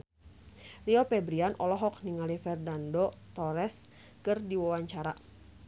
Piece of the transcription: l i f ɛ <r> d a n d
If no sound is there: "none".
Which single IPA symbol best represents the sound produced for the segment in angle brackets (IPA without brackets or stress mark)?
r